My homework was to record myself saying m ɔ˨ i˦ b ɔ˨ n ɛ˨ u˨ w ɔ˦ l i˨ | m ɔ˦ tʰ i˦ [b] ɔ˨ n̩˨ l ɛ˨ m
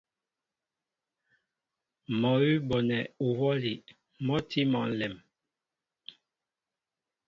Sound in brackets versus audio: incorrect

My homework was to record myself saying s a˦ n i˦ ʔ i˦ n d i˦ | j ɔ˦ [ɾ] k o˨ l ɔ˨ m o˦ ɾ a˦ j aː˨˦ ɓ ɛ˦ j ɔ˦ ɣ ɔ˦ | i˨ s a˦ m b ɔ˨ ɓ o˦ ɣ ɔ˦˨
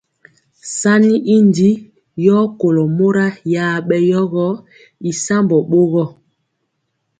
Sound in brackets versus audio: incorrect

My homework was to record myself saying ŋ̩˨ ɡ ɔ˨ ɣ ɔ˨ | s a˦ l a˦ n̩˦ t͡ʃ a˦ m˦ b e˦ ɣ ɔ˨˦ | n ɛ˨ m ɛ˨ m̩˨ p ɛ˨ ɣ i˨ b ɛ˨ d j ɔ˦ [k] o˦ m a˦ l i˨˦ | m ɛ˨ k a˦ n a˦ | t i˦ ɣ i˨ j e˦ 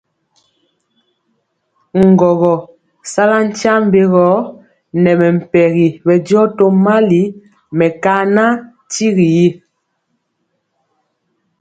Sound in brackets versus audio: incorrect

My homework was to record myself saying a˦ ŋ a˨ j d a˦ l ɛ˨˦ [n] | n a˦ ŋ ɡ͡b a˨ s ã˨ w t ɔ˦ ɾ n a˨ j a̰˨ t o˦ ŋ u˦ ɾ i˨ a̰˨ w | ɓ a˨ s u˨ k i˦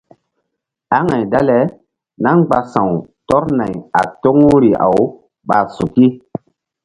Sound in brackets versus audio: incorrect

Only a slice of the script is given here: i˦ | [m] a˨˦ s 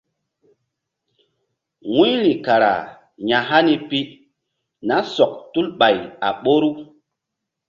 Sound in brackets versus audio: incorrect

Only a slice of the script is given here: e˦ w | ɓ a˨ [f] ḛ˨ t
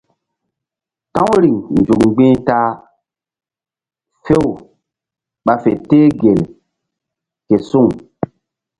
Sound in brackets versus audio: correct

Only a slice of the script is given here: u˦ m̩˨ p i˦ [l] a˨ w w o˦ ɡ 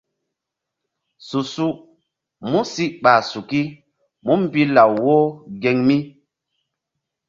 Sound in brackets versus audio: correct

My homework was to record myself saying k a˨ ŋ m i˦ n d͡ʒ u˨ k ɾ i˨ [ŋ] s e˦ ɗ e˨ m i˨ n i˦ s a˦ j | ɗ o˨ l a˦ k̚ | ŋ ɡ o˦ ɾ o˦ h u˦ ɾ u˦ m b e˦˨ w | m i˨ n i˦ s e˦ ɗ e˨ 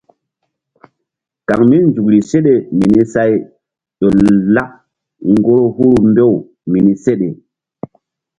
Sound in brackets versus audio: incorrect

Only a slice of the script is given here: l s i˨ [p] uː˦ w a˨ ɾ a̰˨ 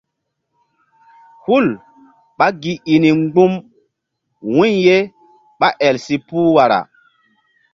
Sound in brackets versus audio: correct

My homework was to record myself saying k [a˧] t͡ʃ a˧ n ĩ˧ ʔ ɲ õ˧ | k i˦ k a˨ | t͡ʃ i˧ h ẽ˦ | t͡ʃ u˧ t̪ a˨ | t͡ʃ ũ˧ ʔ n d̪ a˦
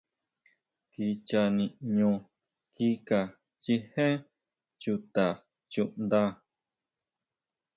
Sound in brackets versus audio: incorrect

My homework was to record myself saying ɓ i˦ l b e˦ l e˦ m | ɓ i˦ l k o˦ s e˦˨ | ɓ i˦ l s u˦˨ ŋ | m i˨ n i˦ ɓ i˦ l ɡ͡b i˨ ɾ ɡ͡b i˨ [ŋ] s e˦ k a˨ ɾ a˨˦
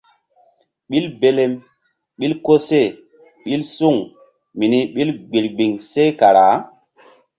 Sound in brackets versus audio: correct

